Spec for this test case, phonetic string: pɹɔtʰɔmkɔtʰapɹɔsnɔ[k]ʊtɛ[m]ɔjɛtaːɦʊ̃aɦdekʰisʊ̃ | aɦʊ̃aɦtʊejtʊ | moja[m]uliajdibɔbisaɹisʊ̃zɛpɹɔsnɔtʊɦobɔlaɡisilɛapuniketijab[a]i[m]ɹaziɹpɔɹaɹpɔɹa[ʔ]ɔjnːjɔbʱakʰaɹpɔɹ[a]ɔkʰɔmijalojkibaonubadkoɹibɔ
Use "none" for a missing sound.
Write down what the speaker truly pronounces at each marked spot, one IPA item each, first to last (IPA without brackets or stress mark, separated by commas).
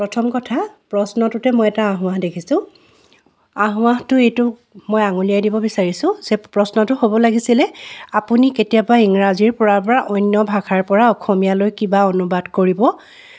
t, m, ŋ, a, ŋ, ʔ, a